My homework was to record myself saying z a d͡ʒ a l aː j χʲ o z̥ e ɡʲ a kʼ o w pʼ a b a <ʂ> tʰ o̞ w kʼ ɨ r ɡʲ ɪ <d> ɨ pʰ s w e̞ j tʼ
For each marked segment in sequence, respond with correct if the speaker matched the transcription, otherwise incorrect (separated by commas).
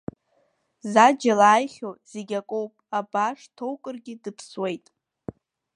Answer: correct, correct